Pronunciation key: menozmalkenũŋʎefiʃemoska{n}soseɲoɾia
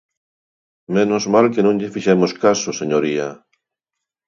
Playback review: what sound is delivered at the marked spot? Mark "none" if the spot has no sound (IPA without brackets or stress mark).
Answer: none